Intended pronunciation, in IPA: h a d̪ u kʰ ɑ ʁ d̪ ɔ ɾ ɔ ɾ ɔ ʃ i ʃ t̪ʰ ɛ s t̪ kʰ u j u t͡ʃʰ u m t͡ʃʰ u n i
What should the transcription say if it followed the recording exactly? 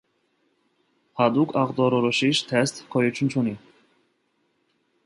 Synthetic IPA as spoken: h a d̪ u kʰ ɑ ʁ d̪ ɔ ɾ ɔ ɾ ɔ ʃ i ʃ t̪ʰ ɛ s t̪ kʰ ɔ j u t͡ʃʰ u n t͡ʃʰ u n i